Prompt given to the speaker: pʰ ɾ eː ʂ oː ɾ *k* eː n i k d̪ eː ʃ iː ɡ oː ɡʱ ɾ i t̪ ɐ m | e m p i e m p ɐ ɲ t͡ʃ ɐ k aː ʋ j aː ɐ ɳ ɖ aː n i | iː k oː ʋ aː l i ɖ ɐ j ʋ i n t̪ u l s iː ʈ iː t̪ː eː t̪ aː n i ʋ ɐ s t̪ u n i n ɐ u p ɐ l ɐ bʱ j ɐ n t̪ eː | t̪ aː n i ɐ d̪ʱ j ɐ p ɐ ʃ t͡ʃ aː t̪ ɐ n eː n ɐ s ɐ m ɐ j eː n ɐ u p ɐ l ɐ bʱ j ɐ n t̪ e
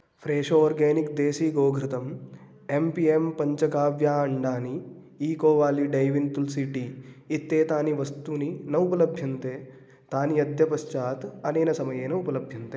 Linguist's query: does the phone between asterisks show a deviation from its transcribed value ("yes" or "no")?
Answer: yes